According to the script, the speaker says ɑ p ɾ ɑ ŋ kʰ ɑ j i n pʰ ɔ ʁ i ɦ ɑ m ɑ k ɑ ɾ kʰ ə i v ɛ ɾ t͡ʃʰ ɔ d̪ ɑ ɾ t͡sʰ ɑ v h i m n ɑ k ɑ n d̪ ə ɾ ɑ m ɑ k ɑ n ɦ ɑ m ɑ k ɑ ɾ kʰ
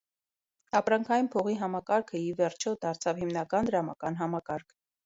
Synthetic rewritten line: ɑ p ɾ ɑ ŋ kʰ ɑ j i n pʰ ɔ ʁ i ɦ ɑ m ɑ k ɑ ɾ kʰ ə i v ɛ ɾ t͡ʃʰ ɔ d̪ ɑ ɾ t͡sʰ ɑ v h i m n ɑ k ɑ n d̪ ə ɾ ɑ m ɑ k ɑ n ɦ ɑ m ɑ k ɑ ɾ kʰ